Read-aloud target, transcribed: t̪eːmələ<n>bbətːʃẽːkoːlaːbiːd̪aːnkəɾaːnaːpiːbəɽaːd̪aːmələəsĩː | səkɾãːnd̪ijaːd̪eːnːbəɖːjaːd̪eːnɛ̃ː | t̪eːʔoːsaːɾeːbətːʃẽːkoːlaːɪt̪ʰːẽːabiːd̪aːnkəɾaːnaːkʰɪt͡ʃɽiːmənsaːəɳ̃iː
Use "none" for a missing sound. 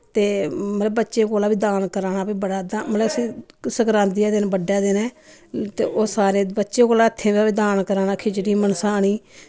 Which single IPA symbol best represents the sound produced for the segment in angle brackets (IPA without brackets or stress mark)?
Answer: none